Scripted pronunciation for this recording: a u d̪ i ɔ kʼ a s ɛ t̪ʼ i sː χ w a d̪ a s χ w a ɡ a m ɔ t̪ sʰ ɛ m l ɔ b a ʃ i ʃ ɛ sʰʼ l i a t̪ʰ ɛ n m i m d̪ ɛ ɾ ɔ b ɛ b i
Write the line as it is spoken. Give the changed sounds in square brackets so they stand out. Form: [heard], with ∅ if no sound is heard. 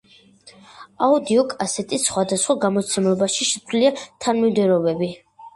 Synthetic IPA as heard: a u d̪ i ɔ kʼ a s ɛ t̪ʼ i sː χ w a d̪ a s χ w a ɡ a m ɔ t̪ sʰ ɛ m l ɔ b a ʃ i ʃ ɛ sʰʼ l i a t̪ʰ [a] n m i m d̪ ɛ ɾ ɔ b ɛ b i